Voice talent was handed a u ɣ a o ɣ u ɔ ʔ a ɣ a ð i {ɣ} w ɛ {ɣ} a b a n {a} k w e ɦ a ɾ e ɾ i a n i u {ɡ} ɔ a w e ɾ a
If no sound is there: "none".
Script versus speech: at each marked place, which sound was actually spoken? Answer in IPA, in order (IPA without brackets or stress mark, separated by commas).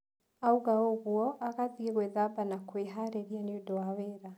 ɣ, ð, a, d